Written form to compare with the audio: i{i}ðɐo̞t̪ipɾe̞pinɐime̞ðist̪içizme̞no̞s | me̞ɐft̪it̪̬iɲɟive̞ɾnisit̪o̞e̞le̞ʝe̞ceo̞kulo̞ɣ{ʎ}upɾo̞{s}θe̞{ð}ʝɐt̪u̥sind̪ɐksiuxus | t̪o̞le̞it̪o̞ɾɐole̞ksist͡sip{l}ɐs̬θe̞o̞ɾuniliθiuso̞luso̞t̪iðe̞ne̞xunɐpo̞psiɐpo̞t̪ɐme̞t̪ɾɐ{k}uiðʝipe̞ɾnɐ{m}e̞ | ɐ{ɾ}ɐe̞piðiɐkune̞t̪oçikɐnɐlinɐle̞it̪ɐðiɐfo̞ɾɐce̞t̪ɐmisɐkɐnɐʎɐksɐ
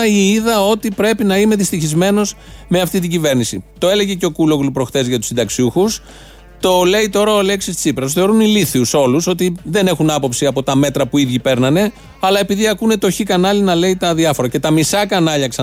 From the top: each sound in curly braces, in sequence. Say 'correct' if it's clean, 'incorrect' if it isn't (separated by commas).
correct, incorrect, incorrect, incorrect, incorrect, incorrect, incorrect, incorrect